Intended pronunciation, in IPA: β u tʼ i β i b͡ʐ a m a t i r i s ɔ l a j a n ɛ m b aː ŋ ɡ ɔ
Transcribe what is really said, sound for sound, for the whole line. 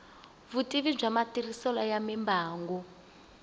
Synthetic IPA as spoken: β u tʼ i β i b͡ʐ a m a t i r i s ɔ l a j a m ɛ m b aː ŋ ɡ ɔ